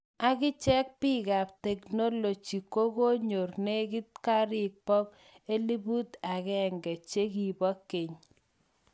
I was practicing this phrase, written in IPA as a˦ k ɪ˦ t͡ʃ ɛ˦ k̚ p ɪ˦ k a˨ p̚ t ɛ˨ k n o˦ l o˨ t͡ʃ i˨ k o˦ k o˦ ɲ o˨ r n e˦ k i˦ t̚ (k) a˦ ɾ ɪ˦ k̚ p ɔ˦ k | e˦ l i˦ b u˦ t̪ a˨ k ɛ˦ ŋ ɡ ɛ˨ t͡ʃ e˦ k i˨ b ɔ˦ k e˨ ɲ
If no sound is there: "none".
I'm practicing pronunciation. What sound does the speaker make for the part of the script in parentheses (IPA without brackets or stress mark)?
k